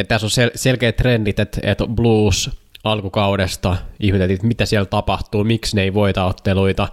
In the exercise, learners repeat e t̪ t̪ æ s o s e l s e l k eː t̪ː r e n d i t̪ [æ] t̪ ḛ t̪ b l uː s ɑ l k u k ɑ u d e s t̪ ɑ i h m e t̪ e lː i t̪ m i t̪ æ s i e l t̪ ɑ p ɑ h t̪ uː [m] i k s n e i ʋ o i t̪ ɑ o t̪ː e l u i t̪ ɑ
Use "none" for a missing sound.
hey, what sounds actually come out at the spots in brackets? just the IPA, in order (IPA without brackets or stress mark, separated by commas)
e, m